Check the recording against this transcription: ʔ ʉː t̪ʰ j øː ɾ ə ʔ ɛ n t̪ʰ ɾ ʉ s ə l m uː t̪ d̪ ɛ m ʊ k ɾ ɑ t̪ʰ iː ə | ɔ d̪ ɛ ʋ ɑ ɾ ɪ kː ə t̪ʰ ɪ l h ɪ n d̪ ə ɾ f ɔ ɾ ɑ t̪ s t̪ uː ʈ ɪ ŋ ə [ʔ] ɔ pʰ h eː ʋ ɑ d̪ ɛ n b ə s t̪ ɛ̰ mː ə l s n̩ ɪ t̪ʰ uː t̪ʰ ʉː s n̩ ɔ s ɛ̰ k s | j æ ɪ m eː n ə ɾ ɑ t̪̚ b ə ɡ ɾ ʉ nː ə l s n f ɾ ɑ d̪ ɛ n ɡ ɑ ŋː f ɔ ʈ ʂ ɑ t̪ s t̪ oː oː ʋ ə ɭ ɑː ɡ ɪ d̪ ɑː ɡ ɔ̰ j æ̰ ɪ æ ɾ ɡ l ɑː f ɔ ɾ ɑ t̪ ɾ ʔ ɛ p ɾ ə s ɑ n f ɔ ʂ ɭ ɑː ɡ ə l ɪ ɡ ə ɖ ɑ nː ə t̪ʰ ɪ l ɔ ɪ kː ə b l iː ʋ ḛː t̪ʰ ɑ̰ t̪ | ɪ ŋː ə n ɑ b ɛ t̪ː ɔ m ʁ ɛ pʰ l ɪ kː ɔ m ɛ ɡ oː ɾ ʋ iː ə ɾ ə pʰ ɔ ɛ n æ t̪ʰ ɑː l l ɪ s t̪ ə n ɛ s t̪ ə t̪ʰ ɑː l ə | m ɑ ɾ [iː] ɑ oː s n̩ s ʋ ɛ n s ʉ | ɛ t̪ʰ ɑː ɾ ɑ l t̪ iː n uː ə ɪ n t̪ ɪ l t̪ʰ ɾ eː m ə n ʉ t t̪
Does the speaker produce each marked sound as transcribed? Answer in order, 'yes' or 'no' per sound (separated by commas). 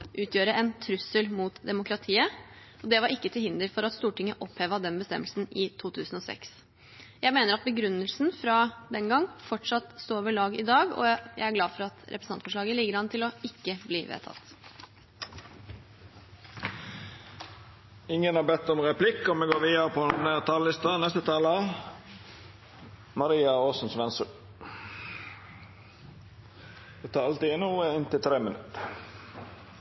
yes, yes